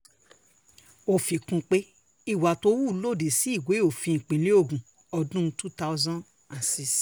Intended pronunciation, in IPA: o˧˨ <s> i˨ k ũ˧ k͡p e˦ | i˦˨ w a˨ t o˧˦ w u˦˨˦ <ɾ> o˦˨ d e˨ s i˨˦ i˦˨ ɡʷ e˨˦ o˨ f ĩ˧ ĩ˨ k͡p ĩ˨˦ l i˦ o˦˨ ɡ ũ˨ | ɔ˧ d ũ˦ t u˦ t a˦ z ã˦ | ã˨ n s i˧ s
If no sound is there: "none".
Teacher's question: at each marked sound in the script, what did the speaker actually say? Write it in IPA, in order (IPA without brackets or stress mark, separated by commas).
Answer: f, l